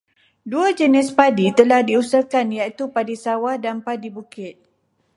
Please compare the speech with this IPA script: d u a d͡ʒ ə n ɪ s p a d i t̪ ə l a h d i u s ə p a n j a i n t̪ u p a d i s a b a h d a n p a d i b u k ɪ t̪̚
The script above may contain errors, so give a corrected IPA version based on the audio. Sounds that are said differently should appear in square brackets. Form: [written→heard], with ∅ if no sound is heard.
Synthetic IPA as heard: d u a d͡ʒ ə n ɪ s p a d i t̪ ə l a h d i u s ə [p→k] a n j a i [n→∅] t̪ u p a d i s a [b→w] a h d a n p a d i b u k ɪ t̪̚